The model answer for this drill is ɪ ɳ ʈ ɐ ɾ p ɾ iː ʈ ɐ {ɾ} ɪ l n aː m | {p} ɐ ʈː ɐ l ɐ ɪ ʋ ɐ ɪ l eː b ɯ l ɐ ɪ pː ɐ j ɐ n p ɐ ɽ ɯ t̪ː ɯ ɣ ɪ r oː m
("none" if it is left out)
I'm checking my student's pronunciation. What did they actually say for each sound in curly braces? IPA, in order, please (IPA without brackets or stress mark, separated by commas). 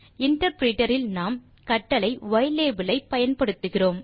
ɾ, k